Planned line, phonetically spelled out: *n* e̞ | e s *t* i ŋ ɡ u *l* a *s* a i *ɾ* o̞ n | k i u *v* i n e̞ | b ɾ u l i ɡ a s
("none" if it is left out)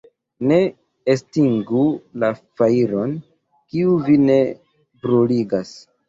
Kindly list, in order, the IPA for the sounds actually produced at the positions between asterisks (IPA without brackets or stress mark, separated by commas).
n, t, l, f, ɾ, v